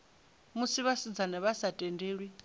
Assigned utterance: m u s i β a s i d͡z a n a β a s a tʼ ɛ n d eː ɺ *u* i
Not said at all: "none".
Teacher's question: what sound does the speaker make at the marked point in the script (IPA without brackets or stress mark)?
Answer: w